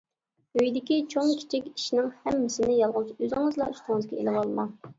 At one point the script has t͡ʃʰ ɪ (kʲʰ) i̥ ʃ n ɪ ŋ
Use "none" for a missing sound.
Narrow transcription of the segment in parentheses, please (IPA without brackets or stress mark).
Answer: kʲ